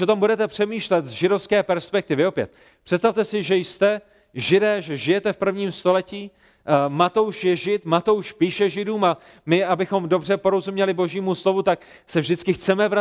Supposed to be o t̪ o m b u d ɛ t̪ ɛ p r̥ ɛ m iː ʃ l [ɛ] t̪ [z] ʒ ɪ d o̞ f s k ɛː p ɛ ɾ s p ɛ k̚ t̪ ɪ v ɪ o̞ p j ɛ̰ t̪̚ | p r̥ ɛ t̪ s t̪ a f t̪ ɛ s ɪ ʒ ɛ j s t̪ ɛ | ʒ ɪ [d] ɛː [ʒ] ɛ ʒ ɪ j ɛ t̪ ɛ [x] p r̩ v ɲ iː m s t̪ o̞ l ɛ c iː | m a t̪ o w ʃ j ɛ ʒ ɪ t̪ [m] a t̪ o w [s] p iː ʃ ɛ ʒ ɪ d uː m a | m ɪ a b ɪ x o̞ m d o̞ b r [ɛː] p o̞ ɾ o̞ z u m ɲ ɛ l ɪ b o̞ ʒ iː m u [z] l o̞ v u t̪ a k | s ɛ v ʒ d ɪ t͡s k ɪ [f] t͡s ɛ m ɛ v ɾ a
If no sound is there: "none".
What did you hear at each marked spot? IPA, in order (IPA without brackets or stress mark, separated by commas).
ɛ, z, d, ʒ, f, m, ʃ, ɛ, s, x